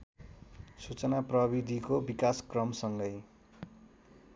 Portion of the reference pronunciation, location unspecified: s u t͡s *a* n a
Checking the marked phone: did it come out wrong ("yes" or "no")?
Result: yes